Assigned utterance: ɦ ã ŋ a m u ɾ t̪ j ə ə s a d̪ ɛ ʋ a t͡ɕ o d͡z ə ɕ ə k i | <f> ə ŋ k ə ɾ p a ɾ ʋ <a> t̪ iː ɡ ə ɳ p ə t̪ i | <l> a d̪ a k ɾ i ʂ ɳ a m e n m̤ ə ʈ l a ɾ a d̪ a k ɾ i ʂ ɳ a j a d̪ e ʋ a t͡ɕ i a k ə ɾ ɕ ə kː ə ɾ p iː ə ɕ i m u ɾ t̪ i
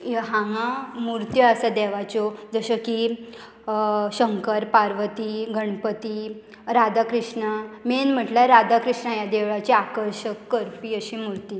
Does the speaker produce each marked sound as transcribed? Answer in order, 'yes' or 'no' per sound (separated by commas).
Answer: no, no, no